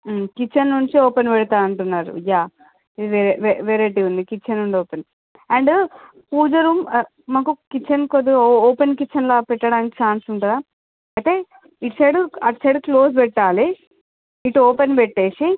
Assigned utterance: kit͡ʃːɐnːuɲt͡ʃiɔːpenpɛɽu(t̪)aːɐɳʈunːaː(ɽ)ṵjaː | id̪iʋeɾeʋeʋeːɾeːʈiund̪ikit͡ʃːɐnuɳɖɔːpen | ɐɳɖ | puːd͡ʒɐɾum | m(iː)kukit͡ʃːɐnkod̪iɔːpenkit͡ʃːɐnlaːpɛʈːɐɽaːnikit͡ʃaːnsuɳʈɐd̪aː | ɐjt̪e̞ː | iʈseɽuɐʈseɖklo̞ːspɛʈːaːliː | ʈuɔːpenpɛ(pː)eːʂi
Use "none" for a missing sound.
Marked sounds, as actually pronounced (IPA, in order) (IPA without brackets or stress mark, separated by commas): t̪, ɾ, aː, ʈː